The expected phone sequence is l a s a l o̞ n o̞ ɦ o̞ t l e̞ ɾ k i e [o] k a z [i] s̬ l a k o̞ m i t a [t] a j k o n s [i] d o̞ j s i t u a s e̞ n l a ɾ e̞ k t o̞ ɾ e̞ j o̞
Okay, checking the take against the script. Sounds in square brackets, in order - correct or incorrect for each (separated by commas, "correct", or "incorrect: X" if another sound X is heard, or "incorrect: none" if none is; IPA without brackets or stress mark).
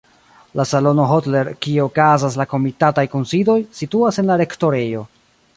correct, incorrect: a, correct, correct